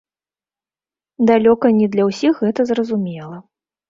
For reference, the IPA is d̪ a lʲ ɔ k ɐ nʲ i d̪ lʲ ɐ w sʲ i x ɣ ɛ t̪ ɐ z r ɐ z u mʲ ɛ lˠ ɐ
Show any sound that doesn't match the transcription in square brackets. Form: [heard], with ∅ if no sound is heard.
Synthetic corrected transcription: d̪ a lʲ ɔ k ɐ nʲ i d̪ lʲ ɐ w sʲ i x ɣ ɛ t̪ ɐ z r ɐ z u mʲ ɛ lˠ ɐ